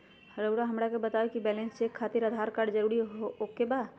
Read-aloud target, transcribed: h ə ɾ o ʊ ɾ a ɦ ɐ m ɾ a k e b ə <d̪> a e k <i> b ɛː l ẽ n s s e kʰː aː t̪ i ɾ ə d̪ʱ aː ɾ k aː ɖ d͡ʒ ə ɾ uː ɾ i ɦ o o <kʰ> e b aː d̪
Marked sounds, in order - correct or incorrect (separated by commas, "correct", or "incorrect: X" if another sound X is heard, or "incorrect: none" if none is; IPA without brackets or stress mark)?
incorrect: t̪, correct, incorrect: k